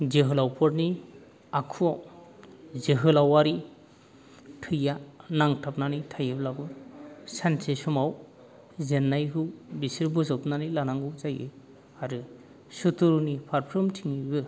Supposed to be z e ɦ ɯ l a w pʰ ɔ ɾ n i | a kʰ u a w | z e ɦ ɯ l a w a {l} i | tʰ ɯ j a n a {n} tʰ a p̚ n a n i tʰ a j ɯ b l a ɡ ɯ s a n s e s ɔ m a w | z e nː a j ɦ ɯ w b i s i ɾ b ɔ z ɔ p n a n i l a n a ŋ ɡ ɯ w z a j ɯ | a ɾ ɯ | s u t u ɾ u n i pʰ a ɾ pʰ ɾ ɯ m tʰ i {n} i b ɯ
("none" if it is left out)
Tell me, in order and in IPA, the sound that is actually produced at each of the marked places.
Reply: ɾ, ŋ, ŋ

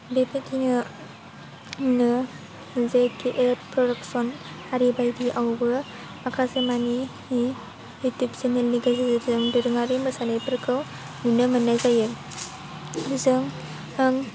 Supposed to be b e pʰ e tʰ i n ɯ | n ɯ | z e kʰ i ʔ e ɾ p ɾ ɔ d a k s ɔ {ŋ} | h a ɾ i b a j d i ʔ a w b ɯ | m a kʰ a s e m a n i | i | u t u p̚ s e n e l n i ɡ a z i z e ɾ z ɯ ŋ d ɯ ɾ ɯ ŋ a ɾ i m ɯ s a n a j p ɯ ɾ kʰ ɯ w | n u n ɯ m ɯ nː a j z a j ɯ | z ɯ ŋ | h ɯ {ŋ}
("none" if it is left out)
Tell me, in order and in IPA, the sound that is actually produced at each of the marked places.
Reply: n, ŋ

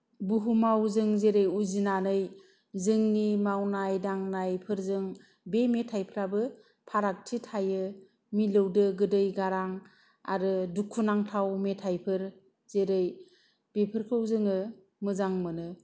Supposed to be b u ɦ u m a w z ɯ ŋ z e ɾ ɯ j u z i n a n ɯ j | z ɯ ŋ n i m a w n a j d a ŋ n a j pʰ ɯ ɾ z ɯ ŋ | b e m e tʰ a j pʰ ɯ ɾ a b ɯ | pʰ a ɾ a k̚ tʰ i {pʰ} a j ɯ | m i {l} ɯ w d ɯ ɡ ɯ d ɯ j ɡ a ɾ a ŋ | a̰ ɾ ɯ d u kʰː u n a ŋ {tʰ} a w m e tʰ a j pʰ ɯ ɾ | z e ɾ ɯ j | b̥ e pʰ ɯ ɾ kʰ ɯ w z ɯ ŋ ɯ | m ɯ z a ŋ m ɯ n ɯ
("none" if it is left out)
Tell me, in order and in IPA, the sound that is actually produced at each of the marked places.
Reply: tʰ, l, tʰ

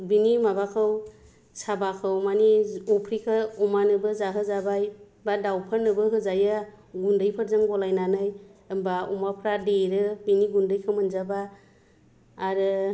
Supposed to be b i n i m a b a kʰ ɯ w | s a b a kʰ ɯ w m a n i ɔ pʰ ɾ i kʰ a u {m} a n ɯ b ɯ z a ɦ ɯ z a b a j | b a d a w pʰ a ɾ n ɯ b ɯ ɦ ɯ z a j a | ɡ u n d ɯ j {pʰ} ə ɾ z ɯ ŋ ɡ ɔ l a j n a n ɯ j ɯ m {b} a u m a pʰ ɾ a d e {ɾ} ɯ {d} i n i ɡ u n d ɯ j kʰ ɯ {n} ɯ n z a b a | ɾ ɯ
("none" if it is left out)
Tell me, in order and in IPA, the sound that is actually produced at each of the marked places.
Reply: m, pʰ, b, ɾ, b, m

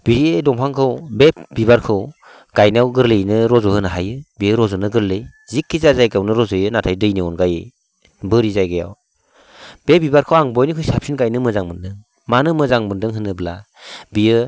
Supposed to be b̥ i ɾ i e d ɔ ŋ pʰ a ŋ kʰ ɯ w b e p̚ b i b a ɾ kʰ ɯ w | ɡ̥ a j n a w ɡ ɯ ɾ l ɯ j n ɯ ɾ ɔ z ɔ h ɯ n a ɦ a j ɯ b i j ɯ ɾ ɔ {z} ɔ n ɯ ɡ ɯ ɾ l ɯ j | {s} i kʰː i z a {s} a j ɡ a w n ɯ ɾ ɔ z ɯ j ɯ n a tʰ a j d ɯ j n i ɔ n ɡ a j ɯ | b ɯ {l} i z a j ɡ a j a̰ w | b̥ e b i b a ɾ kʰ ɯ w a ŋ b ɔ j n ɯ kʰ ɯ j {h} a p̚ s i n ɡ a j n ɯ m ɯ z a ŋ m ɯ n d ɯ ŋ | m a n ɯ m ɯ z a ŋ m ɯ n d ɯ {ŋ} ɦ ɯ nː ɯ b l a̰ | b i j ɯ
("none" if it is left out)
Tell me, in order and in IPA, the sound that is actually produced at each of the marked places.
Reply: z, z, z, ɾ, s, ŋ

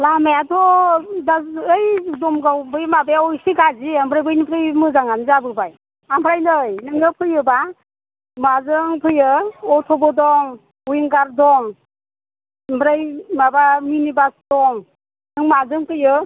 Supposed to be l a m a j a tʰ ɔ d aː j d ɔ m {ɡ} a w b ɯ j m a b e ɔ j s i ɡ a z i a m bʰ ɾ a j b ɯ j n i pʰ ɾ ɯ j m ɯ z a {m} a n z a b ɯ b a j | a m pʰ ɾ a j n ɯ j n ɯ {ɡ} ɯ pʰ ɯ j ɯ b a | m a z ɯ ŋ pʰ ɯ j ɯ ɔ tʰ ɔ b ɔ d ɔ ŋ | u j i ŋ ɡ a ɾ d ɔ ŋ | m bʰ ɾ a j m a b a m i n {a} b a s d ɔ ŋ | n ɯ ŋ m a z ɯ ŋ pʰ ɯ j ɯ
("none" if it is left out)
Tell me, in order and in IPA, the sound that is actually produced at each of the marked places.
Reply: ɡ, ŋ, ŋ, i

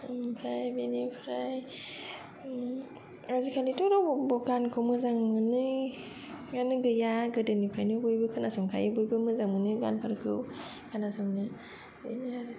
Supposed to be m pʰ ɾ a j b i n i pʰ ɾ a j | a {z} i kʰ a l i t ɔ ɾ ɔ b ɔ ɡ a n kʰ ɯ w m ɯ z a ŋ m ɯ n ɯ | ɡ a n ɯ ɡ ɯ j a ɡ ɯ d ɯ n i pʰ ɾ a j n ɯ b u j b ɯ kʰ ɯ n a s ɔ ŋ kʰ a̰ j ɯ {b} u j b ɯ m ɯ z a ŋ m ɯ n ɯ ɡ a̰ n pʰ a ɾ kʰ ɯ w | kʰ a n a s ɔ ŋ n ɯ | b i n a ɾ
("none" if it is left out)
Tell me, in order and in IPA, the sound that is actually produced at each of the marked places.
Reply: z, b

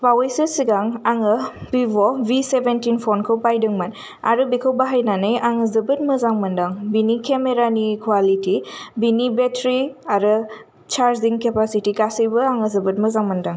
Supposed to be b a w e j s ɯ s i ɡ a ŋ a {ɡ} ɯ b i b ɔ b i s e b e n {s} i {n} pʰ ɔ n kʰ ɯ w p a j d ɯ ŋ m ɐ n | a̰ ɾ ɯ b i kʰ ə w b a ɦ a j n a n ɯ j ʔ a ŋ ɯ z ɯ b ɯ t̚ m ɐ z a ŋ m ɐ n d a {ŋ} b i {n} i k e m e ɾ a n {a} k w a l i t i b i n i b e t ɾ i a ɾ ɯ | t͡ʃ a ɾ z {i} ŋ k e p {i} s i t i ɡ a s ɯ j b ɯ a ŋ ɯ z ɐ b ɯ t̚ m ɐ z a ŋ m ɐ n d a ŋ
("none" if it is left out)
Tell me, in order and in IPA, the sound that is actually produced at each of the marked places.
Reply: ŋ, t, n, ŋ, n, i, i, a

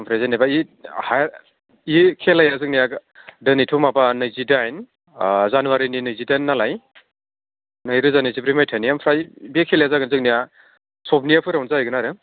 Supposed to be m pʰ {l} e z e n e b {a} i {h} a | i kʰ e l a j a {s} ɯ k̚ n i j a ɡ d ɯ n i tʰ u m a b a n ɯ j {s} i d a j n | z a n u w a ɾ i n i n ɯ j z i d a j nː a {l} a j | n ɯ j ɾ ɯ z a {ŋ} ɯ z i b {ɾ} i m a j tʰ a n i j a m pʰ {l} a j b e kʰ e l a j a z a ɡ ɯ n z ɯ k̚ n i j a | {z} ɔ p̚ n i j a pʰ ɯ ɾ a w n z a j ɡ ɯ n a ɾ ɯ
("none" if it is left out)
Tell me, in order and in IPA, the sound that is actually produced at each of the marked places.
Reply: ɾ, a, h, z, z, l, n, ɾ, ɾ, s

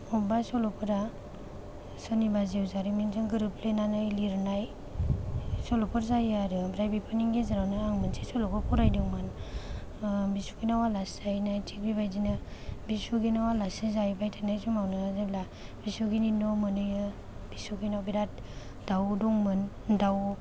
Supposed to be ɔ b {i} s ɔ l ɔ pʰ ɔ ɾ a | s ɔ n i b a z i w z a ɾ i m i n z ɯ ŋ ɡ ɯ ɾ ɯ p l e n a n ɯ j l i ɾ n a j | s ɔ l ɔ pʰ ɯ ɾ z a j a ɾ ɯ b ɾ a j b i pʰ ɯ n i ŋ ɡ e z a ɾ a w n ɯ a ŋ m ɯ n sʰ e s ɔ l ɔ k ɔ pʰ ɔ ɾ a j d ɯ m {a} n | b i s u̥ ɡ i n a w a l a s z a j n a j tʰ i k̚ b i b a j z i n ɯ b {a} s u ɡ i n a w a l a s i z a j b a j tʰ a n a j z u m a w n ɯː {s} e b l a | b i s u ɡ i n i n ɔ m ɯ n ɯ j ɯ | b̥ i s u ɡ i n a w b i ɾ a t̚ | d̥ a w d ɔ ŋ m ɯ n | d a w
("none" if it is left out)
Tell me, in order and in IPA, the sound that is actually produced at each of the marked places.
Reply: a, a, i, z

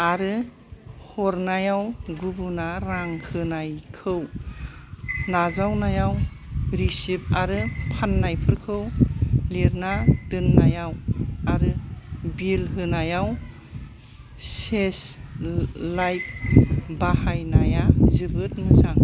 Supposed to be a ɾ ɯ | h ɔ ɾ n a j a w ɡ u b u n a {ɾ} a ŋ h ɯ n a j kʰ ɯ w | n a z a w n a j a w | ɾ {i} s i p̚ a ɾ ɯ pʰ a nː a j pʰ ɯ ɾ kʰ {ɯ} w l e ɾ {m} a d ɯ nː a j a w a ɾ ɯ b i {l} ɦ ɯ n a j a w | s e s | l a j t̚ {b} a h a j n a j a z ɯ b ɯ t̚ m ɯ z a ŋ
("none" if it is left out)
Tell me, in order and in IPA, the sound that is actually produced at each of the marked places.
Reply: ɾ, i, ɯ, n, l, b

